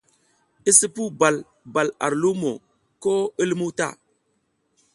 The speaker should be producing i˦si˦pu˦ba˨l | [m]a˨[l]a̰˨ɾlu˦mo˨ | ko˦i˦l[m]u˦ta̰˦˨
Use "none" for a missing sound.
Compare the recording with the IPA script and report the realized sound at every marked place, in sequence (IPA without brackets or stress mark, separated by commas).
b, l, m